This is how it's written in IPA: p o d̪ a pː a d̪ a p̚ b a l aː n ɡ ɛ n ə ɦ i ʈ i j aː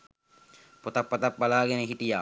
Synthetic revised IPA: p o t̪ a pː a t̪ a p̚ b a l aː ɡ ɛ n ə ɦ i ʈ i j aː